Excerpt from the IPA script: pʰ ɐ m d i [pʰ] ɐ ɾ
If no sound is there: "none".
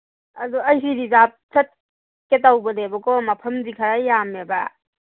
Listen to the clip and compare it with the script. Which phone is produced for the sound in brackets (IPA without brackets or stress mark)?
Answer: kʰ